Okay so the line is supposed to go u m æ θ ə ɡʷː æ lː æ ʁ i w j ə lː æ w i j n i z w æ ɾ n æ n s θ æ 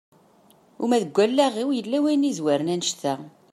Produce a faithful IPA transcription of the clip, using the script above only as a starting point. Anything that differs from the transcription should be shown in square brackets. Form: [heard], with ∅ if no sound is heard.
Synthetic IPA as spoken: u m æ [ð] ə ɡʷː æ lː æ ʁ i w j ə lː æ w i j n i z w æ ɾ n æ n [ʃ] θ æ